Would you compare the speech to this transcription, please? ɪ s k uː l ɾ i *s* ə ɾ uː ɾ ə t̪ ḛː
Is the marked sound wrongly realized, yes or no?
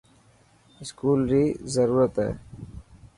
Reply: yes